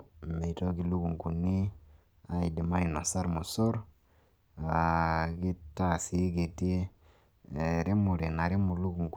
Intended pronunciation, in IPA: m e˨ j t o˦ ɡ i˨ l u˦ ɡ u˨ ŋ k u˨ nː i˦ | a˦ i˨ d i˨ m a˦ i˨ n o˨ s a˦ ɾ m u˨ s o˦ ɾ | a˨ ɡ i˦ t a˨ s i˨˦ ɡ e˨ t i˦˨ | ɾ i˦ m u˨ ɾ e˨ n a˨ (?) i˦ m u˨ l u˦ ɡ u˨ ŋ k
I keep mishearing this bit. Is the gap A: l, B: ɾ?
B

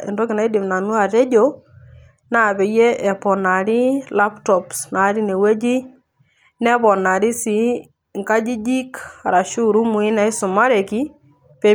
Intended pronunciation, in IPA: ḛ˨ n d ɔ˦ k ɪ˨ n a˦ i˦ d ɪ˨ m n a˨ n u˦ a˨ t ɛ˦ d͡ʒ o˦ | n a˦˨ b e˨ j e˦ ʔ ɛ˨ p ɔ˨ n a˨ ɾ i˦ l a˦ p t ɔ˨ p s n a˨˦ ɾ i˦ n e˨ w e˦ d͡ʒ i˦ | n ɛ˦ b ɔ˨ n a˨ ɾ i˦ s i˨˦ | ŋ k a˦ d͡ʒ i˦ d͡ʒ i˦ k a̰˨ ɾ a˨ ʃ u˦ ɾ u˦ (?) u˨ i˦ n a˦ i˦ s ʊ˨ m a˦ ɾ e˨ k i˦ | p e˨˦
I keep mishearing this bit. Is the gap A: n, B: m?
B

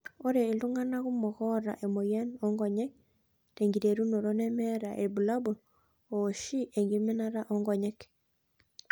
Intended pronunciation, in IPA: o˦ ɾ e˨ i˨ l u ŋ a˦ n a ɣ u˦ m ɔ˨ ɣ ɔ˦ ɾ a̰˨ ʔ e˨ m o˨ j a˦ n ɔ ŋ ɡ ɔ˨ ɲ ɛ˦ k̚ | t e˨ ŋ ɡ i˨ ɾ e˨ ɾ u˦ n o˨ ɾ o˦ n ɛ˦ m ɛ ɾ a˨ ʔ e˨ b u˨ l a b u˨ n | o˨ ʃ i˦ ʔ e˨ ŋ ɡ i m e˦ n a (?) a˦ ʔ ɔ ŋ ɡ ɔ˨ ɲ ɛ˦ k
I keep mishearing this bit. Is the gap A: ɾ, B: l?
A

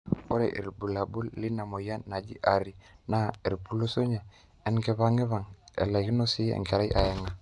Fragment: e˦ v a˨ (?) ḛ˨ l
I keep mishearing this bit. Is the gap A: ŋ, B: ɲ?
A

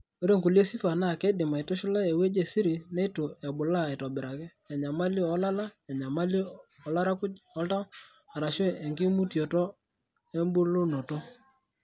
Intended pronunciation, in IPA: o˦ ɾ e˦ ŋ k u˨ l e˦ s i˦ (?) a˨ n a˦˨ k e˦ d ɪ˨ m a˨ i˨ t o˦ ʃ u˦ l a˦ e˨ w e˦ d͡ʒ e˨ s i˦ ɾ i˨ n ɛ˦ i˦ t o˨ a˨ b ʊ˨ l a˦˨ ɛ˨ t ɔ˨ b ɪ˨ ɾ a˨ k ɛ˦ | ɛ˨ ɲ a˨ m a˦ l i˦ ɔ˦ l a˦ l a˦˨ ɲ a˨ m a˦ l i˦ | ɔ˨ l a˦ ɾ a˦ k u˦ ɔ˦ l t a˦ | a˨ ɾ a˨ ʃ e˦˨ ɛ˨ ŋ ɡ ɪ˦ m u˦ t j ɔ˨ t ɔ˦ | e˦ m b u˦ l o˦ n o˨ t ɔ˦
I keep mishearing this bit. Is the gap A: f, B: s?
A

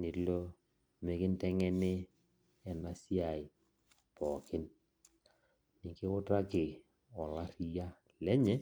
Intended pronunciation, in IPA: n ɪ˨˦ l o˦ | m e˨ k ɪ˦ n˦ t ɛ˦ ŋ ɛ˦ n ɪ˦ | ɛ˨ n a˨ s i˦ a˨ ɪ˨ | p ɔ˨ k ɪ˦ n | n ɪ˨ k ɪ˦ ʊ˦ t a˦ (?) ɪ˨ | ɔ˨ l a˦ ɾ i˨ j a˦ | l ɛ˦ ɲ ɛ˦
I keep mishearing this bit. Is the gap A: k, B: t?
A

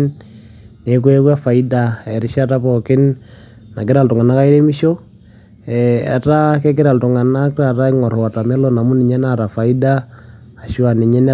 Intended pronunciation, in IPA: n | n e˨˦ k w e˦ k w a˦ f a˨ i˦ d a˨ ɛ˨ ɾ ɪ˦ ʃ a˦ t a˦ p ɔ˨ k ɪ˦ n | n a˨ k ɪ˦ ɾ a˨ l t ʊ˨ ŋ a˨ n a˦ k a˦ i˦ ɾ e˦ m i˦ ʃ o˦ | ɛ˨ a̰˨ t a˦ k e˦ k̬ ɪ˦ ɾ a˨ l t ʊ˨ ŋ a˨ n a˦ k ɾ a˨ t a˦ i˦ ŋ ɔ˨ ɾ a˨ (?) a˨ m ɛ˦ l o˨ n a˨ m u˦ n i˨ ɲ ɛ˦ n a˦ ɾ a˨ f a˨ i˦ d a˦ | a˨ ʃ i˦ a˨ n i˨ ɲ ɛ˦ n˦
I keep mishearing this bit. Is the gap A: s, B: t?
B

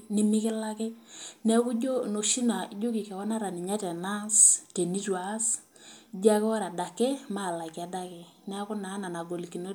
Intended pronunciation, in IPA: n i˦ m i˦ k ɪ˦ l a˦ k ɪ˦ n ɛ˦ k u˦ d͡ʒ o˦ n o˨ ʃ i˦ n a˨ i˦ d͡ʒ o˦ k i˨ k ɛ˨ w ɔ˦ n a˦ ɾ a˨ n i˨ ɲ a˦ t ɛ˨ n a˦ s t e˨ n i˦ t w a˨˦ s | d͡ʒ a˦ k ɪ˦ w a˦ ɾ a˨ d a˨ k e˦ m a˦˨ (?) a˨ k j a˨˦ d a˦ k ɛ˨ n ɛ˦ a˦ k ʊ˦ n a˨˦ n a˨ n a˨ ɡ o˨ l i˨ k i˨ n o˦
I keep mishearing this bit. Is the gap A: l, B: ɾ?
A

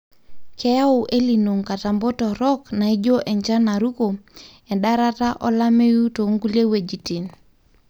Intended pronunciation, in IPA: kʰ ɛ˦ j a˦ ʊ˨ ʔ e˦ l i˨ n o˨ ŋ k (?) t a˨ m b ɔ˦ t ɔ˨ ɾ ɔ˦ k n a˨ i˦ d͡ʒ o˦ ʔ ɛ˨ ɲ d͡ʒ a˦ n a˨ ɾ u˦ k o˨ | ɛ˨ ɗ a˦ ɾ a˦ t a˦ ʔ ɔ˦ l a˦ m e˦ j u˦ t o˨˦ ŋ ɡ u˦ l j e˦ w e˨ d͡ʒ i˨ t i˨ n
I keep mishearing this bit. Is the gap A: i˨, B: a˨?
B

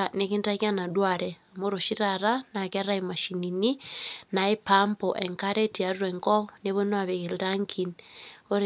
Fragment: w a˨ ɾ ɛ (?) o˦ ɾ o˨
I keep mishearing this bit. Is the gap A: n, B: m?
B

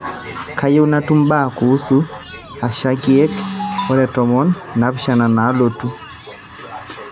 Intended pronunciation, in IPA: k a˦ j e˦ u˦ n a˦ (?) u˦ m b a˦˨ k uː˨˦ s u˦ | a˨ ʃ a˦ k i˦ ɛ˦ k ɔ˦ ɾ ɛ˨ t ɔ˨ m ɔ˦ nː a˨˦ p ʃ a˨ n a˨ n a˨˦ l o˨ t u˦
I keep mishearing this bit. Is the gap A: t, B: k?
A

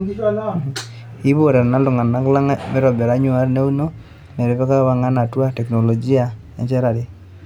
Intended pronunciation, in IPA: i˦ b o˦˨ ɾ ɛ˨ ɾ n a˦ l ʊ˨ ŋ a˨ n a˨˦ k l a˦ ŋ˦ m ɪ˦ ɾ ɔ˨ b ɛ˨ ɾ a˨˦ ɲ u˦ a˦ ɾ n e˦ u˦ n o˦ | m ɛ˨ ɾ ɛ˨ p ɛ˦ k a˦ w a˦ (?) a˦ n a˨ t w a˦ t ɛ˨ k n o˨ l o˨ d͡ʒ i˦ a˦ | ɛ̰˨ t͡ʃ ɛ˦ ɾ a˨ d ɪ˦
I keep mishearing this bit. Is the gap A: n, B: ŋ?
B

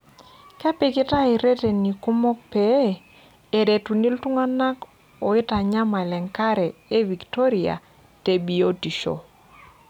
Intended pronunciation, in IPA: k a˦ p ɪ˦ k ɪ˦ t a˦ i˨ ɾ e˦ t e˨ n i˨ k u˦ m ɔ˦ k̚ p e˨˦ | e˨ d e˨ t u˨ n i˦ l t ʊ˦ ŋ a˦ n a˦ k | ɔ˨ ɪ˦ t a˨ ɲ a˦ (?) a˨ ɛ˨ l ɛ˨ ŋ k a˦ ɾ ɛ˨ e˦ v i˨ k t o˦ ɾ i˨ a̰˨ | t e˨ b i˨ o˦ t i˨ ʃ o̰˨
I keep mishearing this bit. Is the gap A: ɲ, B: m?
B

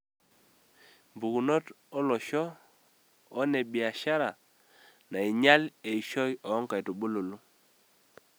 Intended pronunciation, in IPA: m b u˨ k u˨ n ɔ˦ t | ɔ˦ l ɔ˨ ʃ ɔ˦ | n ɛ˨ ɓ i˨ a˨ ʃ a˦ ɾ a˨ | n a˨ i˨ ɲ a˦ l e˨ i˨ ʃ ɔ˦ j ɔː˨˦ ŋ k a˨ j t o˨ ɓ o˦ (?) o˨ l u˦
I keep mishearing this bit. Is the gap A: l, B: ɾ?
A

